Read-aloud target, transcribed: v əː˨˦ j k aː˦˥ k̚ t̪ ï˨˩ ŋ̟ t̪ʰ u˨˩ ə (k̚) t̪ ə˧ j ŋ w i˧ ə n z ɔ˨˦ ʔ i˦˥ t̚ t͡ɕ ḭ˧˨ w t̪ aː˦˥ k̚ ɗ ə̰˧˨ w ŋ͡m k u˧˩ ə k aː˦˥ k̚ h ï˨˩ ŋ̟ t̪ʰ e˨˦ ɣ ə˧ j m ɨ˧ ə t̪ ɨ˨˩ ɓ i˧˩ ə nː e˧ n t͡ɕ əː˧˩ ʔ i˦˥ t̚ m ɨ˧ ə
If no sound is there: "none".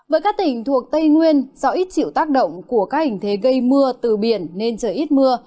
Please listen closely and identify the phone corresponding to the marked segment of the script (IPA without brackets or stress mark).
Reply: k̚